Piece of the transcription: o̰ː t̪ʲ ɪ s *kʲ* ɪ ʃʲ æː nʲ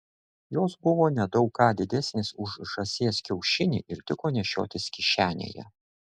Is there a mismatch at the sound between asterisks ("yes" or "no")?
no